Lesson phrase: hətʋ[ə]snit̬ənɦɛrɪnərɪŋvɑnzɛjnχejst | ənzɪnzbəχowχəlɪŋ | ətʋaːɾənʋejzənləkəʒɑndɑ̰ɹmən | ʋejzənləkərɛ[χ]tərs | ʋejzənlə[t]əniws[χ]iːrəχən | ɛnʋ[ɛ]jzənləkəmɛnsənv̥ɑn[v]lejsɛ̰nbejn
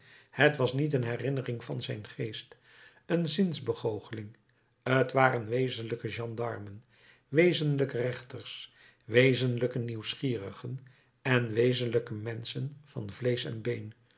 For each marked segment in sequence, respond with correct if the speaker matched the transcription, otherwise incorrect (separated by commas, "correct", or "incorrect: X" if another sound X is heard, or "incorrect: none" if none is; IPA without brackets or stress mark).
incorrect: ɑ, correct, incorrect: k, correct, incorrect: e, correct